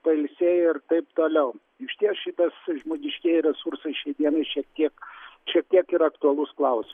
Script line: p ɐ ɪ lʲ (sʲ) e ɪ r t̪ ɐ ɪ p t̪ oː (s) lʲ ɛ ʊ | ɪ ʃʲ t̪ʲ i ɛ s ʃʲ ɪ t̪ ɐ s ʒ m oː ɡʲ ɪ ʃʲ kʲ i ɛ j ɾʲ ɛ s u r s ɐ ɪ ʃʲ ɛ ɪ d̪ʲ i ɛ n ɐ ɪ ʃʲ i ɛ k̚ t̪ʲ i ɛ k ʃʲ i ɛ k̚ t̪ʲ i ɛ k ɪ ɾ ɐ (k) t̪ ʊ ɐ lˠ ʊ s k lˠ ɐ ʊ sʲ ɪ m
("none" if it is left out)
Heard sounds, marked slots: sʲ, none, k

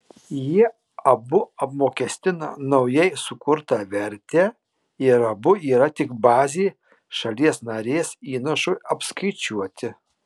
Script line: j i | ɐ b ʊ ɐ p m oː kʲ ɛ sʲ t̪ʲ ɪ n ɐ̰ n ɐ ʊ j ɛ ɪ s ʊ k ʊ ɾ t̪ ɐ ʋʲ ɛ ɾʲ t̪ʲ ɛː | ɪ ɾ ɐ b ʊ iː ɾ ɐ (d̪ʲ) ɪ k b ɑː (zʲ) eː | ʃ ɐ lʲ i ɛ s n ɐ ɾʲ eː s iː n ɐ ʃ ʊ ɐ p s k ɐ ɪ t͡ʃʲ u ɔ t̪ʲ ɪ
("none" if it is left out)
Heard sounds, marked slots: t̪ʲ, zʲ

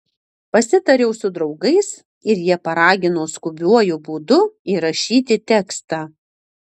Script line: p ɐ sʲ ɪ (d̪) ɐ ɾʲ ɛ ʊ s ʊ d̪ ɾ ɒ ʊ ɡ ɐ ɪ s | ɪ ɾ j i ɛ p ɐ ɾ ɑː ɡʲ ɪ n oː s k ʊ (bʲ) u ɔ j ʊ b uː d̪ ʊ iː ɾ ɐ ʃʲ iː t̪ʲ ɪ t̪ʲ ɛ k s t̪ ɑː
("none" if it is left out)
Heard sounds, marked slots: t̪, bʲ

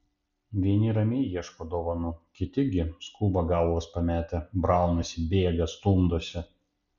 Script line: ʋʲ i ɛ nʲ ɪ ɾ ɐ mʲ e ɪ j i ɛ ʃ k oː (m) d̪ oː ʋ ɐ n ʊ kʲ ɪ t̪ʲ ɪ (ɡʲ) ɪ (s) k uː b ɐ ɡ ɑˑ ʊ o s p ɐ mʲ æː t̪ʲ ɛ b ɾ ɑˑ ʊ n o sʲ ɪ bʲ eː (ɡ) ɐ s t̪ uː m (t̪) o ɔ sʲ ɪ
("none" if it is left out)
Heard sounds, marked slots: none, ɡʲ, s, ɡ, d̪

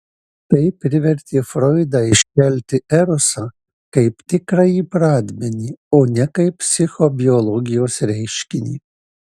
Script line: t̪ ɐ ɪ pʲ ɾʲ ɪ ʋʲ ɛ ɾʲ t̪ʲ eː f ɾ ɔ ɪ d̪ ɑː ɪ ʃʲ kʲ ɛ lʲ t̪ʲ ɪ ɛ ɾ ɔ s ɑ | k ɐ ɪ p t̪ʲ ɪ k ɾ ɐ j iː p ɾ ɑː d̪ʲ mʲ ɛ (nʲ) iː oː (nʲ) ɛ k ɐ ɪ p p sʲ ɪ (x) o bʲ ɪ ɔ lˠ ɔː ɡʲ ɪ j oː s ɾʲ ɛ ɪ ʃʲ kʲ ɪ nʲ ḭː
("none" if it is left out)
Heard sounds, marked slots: nʲ, nʲ, x

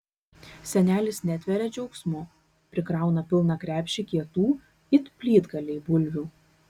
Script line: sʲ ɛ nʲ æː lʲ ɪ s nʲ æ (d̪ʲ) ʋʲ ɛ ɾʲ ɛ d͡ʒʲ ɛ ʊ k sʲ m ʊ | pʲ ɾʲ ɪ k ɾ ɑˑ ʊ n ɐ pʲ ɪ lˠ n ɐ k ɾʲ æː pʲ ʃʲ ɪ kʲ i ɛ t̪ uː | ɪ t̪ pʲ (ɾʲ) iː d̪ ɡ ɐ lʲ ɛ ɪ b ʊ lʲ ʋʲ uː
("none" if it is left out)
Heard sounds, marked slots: t̪ʲ, lʲ

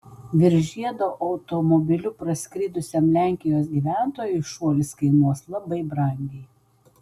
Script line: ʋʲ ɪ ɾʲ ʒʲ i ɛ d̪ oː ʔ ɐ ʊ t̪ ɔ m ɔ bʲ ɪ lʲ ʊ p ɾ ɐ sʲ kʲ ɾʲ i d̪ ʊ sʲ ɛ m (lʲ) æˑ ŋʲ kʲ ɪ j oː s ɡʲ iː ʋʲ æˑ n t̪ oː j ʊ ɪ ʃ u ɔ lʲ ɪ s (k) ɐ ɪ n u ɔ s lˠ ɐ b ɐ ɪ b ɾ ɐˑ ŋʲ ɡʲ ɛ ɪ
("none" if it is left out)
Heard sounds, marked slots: lʲ, k

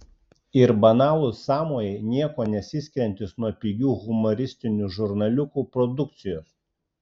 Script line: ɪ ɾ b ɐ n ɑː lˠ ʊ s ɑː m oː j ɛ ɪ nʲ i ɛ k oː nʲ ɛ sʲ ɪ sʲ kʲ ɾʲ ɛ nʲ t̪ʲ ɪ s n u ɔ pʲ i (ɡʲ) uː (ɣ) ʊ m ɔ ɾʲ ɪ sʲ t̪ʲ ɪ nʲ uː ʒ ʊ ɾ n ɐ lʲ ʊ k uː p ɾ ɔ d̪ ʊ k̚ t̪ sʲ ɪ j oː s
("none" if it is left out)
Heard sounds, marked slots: ɡʲ, ɣ

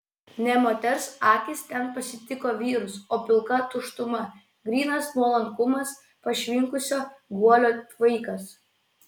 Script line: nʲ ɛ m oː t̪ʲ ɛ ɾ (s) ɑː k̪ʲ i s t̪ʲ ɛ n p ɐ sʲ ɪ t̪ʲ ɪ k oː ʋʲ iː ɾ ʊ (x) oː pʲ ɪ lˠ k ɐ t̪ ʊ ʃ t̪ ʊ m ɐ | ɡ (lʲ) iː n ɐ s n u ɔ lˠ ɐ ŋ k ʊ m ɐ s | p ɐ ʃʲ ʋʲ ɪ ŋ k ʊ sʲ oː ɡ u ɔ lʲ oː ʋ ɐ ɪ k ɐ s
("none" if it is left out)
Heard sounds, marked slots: s, s, ɾʲ

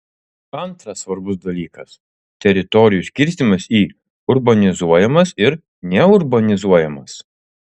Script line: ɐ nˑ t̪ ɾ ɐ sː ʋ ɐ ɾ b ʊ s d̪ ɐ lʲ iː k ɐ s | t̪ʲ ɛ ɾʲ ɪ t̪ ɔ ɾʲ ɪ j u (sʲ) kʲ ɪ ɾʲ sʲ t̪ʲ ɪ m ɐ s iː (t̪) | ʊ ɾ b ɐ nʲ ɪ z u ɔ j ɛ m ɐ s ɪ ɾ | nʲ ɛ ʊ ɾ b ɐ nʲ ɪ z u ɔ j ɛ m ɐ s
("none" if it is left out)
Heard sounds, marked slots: sʲ, none

